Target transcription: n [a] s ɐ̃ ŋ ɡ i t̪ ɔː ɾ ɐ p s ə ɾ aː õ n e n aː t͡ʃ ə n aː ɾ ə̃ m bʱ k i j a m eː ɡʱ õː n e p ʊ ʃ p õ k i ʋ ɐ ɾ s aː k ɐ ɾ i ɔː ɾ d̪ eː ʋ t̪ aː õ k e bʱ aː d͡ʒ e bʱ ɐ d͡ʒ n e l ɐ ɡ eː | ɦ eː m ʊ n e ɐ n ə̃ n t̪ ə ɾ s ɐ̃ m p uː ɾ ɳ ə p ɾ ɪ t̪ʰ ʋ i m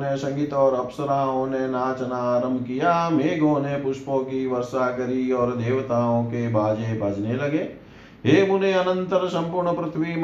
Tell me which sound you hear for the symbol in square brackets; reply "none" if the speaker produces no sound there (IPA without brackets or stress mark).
e